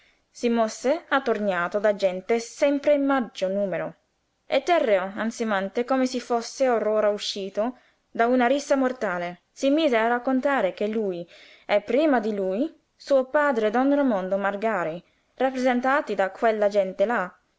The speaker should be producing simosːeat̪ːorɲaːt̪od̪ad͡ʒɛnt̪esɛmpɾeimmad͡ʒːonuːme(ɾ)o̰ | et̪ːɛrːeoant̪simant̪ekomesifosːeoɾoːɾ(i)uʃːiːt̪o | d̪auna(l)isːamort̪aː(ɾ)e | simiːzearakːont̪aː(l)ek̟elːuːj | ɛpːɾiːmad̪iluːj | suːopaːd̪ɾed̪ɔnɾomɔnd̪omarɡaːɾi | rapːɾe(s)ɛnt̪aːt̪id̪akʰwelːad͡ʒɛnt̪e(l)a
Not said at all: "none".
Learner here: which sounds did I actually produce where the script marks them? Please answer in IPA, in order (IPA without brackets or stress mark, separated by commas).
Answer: ɾ, a, ɾ, l, ɾ, z, l